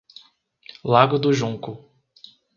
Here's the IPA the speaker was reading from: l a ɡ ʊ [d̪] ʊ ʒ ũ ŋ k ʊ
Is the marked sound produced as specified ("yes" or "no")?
yes